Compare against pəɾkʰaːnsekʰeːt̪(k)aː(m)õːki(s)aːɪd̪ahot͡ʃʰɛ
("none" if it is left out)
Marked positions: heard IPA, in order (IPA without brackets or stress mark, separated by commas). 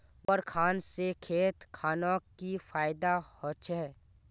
kʰ, n, f